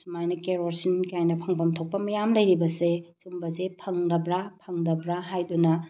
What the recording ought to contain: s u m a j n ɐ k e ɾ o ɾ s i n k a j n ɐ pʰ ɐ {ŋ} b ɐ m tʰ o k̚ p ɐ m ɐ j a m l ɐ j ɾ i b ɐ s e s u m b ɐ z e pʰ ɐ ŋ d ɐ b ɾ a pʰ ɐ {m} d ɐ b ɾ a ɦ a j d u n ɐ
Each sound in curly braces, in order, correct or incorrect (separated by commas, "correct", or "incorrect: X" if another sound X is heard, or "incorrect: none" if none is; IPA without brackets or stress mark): correct, incorrect: ŋ